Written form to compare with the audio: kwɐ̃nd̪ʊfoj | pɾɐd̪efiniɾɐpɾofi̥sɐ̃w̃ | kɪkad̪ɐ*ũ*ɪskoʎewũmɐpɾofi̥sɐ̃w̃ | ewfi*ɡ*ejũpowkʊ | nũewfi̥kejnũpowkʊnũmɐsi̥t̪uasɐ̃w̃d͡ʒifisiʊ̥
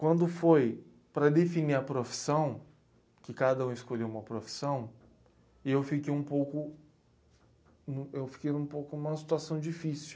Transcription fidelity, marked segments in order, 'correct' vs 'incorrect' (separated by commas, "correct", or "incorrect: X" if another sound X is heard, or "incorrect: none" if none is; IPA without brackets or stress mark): correct, incorrect: k